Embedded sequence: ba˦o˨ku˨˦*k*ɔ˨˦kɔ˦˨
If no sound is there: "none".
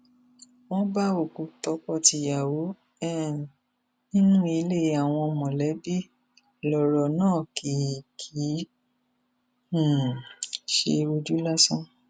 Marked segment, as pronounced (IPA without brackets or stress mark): t